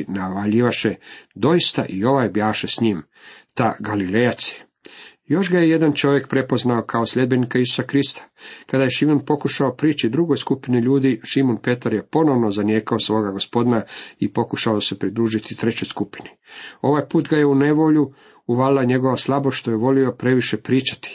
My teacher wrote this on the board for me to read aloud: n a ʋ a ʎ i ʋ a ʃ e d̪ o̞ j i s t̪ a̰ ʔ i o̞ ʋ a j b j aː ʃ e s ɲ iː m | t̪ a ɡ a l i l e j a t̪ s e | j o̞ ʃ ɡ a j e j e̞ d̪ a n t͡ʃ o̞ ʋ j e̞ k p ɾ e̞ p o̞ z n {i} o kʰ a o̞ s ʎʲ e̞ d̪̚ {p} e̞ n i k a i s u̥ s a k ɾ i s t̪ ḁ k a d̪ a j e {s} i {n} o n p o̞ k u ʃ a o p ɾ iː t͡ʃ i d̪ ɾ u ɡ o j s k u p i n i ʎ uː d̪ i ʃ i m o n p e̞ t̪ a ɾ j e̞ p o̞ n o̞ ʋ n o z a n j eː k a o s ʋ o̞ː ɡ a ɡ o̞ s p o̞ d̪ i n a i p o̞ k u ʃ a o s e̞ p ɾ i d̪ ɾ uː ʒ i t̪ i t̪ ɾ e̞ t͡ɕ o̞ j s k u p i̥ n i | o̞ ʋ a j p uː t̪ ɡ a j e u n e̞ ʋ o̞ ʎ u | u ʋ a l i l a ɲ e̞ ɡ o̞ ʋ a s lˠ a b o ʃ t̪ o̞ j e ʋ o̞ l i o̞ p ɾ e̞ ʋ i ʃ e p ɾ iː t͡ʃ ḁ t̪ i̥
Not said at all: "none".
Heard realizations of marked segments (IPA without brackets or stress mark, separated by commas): a, b, ʃ, m